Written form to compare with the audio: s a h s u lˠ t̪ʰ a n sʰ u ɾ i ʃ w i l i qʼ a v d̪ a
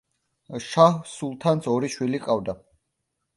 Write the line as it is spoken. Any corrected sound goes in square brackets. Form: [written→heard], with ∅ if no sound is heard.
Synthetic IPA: [s→ʃ] a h s u lˠ t̪ʰ a n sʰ [u→ɔ] ɾ i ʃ w i l i qʼ a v d̪ a

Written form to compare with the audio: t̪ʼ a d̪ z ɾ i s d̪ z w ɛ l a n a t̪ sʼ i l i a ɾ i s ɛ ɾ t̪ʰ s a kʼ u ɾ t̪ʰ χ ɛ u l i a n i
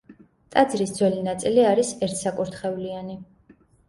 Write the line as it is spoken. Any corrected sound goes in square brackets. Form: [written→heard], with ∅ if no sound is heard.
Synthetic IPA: t̪ʼ a d̪ z ɾ i s d̪ z w ɛ l [a→i] n a t̪ sʼ i l i a ɾ i s ɛ ɾ t̪ʰ s a kʼ u ɾ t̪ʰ χ ɛ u l i a n i

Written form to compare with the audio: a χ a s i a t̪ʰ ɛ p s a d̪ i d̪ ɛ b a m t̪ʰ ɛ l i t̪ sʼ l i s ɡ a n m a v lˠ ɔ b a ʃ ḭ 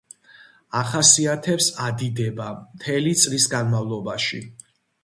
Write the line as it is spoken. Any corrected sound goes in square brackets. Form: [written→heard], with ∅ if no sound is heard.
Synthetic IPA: a χ a s i a t̪ʰ ɛ p s a d̪ i d̪ ɛ b a m t̪ʰ ɛ l i t̪ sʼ l i s ɡ a n m a v lˠ ɔ b a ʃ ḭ

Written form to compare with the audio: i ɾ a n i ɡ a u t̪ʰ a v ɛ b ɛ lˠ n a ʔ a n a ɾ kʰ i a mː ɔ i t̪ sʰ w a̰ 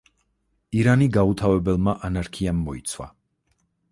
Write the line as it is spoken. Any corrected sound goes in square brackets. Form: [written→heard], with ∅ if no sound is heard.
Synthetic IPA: i ɾ a n i ɡ a u t̪ʰ a v ɛ b ɛ lˠ [n→m] a ʔ a n a ɾ kʰ i a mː ɔ i t̪ sʰ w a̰

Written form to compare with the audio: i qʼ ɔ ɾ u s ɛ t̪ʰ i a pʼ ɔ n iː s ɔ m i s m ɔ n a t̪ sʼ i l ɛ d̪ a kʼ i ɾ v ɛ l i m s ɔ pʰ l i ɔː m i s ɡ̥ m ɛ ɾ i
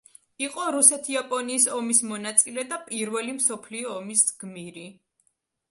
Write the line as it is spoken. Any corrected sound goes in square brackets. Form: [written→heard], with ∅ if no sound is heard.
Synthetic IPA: i qʼ ɔ ɾ u s ɛ t̪ʰ i a pʼ ɔ n iː s ɔ m i s m ɔ n a t̪ sʼ i l ɛ d̪ a [kʼ→pʼ] i ɾ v ɛ l i m s ɔ pʰ l i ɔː m i s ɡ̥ m [ɛ→i] ɾ i

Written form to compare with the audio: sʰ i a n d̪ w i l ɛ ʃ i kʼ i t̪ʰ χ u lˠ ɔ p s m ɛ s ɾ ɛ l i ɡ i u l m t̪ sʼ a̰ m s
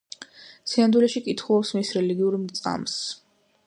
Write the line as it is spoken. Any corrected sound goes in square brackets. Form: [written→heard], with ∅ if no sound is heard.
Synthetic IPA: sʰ i a n d̪ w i l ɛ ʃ i kʼ i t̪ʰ χ u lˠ ɔ p s m [ɛ→i] s ɾ ɛ l i ɡ i u [l→ɾ] m t̪ sʼ a̰ m s

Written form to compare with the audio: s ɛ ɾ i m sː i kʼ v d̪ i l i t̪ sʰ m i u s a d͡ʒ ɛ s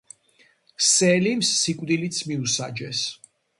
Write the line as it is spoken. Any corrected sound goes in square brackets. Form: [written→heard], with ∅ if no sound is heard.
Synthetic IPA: s ɛ [ɾ→l] i m sː i kʼ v d̪ i l i t̪ sʰ m i u s a d͡ʒ ɛ s

